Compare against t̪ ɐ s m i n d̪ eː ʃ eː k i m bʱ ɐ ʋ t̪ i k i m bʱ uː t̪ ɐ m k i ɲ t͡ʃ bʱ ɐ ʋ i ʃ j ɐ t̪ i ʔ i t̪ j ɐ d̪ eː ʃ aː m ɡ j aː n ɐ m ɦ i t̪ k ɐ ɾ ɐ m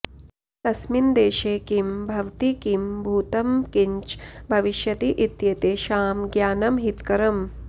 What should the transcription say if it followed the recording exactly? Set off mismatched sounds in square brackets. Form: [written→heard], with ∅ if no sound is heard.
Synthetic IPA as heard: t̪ ɐ s m i n d̪ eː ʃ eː k i m bʱ ɐ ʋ t̪ i k i m bʱ uː t̪ ɐ m k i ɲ t͡ʃ bʱ ɐ ʋ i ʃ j ɐ t̪ i ʔ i t̪ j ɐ [d̪→t̪] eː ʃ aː m ɡ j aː n ɐ m ɦ i t̪ k ɐ ɾ ɐ m